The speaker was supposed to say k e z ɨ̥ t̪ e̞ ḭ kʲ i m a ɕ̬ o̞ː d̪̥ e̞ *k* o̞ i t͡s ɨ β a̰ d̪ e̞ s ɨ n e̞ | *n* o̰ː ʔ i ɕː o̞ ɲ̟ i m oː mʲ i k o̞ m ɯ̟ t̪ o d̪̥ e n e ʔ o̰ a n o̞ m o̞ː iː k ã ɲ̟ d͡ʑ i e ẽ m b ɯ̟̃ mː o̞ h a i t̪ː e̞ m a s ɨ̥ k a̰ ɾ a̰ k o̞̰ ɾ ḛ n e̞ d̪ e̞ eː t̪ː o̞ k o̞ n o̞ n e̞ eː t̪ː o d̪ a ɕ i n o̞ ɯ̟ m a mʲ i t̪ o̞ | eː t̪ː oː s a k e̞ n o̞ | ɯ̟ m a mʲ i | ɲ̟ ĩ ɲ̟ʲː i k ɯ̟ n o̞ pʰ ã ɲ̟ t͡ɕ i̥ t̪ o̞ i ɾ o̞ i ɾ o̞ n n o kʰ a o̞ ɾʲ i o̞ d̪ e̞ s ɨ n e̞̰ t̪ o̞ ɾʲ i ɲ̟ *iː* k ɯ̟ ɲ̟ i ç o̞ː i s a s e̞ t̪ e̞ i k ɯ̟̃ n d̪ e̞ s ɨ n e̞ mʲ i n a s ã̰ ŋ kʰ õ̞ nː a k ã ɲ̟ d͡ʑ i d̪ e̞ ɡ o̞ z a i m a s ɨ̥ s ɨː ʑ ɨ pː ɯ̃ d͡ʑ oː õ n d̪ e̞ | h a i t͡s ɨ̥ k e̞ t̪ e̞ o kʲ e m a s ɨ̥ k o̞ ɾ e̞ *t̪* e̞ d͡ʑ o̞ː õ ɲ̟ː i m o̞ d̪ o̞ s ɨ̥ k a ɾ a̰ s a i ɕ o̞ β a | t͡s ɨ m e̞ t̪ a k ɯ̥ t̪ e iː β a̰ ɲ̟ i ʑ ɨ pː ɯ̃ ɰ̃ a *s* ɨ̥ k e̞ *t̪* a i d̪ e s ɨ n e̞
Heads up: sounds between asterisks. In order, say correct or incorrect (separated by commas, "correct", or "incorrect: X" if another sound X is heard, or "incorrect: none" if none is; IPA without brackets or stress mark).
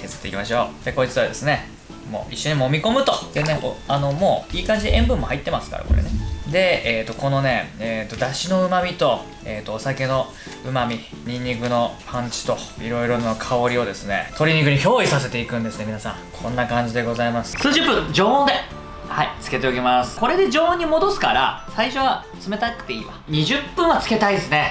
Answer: correct, incorrect: m, incorrect: i, incorrect: d̪, incorrect: t͡s, correct